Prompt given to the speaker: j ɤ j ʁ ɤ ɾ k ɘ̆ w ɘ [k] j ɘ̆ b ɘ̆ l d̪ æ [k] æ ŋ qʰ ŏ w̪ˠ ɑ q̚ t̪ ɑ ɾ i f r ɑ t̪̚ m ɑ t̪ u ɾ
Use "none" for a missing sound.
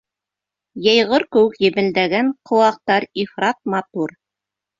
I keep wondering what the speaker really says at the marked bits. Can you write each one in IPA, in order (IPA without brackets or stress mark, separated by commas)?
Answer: k, ɡ